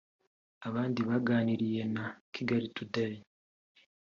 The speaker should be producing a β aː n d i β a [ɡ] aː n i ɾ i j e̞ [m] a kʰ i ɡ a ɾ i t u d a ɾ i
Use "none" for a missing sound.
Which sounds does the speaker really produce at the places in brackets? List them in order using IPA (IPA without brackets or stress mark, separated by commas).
ɡ, n